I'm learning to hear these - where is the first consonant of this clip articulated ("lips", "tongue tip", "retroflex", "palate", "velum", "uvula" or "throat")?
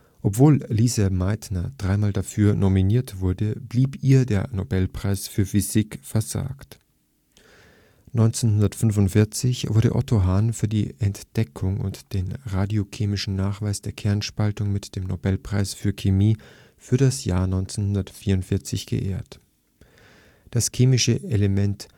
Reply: throat